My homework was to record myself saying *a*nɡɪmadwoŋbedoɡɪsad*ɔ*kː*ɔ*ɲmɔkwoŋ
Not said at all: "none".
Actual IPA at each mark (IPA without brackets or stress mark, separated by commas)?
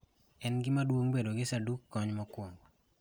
ɛ, u, ɔ